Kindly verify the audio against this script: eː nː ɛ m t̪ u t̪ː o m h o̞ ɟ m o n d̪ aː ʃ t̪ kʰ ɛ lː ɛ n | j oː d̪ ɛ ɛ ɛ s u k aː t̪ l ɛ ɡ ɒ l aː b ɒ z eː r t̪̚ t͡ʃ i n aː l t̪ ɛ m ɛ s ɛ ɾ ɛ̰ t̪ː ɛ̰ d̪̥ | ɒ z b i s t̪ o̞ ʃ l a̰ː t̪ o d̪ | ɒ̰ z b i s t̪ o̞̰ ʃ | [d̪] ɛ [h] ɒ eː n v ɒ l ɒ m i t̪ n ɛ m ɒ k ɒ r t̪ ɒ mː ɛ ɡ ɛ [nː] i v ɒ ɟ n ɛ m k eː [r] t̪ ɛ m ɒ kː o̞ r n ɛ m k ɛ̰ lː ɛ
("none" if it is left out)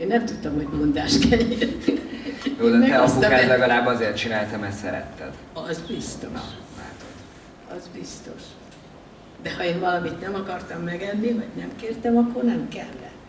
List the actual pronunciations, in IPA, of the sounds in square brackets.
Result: d̪, h, nː, r

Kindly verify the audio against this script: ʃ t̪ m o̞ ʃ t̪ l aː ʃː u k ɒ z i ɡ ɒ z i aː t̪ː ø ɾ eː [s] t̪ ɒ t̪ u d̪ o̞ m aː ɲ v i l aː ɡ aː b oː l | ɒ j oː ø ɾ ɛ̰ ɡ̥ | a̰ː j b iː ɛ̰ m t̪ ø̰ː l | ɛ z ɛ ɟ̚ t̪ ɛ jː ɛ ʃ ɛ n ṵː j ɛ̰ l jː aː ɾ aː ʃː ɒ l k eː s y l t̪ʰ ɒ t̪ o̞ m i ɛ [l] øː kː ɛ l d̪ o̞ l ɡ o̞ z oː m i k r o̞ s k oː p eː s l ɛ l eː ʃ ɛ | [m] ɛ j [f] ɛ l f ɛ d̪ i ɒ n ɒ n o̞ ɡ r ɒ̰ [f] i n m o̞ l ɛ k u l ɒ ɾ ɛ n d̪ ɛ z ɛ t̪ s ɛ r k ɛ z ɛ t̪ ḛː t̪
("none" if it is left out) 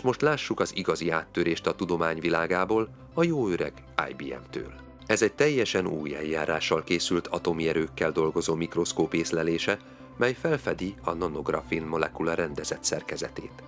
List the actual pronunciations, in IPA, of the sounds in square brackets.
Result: ʃ, ɾ, m, f, f

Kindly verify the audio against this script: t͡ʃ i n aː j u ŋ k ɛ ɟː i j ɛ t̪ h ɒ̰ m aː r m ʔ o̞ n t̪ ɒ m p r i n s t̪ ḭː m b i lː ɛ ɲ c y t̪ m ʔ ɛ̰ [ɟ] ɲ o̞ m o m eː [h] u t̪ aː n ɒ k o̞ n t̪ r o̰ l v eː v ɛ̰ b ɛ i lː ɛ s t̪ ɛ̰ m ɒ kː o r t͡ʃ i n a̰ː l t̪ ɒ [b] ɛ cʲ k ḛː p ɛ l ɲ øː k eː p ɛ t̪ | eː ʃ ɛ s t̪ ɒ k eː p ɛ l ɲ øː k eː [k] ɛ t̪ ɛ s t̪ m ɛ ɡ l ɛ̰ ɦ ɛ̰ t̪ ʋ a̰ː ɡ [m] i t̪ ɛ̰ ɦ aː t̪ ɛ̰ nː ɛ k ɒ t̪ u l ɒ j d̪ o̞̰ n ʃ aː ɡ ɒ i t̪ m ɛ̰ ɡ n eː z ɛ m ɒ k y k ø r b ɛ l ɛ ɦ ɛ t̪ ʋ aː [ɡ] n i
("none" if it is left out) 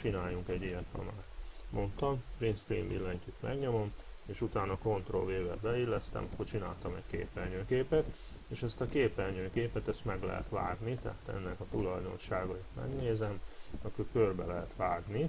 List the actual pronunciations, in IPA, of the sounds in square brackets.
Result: ɡ, ʃ, m, p, n, ɡ

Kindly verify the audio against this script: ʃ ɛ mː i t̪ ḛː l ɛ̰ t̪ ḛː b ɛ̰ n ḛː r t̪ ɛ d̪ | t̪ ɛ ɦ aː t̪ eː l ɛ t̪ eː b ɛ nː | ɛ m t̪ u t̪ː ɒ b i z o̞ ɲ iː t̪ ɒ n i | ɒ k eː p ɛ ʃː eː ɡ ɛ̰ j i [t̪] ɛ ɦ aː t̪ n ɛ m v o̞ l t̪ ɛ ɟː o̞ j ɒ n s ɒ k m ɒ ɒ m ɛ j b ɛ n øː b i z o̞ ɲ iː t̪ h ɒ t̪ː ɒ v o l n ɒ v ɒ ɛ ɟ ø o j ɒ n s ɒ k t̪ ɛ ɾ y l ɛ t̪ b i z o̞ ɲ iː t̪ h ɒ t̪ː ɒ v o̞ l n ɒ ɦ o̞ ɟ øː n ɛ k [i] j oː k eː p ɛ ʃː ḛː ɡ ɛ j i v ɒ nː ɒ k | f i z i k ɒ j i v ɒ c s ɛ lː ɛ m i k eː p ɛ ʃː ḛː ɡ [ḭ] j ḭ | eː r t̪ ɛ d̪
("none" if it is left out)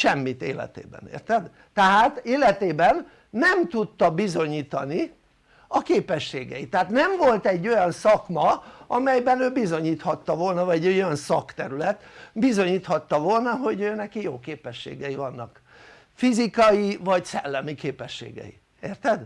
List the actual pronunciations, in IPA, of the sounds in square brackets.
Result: t̪, i, ɛ̰

